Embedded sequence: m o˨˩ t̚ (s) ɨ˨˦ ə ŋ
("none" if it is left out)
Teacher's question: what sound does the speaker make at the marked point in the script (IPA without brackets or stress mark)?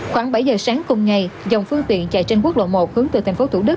h